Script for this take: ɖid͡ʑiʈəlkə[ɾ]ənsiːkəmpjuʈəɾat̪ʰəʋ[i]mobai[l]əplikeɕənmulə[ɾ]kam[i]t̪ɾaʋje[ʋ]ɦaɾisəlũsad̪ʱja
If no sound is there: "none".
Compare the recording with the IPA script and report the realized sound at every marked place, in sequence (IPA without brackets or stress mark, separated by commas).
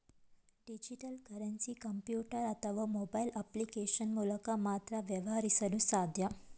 ɾ, a, l, none, a, ʋ